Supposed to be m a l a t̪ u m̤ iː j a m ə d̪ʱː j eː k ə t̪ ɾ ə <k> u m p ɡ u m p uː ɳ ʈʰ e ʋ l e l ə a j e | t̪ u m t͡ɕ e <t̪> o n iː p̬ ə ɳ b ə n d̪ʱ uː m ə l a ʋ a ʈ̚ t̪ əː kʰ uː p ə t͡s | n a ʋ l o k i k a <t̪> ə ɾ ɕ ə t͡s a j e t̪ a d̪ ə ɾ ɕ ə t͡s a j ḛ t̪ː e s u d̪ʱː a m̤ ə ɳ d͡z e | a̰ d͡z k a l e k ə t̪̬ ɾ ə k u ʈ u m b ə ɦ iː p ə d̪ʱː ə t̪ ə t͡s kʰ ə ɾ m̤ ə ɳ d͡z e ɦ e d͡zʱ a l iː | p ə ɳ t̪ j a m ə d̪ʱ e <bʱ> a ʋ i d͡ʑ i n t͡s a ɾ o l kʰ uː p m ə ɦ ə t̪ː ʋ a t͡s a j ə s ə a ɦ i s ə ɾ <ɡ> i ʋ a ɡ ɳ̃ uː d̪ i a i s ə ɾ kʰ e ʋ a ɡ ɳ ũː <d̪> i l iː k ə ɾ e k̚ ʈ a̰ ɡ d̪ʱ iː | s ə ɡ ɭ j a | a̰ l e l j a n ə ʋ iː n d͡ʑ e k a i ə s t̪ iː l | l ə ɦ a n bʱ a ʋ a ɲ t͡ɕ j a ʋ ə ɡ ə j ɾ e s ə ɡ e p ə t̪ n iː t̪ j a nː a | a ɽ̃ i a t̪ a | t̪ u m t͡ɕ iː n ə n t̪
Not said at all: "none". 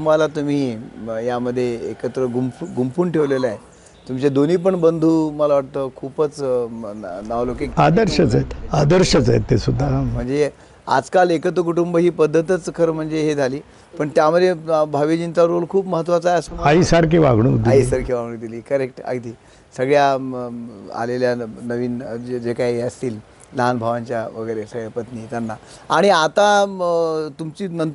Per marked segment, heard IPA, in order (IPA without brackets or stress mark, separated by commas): ɡ, d̪, d̪, bʱ, k, d̪